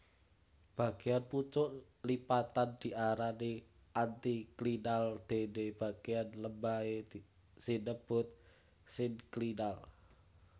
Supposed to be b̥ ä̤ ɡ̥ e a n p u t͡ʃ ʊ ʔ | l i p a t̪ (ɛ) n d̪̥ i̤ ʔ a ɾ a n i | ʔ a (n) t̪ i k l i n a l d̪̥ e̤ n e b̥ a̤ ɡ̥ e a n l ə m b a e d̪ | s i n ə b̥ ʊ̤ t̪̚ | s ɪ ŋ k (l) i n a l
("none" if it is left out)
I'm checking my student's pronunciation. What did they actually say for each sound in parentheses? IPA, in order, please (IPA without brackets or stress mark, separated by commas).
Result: a, n, l